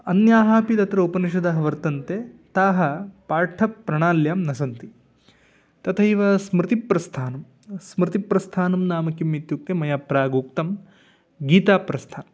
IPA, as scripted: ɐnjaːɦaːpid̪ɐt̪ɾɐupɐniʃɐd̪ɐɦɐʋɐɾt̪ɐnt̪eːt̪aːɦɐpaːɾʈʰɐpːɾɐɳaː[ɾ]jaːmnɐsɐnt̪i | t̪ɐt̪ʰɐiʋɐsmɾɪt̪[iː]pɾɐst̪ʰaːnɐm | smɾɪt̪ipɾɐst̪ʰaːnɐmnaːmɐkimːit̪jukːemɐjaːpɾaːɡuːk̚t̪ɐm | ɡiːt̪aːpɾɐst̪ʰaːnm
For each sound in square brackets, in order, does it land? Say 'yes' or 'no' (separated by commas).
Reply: no, no